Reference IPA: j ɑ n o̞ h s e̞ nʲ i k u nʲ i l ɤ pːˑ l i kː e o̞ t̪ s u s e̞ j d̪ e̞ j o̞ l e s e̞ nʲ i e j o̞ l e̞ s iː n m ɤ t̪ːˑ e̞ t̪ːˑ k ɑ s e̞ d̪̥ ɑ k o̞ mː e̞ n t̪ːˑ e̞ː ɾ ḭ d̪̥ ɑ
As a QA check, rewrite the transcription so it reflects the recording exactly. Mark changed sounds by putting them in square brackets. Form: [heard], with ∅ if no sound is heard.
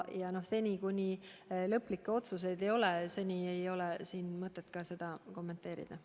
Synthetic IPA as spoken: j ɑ n o̞ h s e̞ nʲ i k u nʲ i l ɤ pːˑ l i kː e o̞ t̪ s u s e̞ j d̪ e̞ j o̞ l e s e̞ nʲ i e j o̞ l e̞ s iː n m ɤ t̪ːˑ e̞ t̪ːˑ k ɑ s e̞ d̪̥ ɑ k o̞ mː e̞ n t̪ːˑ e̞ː ɾ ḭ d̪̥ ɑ